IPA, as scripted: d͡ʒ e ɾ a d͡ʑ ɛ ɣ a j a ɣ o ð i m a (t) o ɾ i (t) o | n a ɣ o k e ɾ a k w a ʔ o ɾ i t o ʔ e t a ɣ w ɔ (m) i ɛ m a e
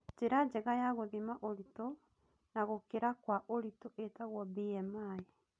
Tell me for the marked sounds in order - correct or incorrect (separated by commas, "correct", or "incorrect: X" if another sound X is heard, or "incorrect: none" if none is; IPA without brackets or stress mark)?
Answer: incorrect: ʔ, correct, incorrect: b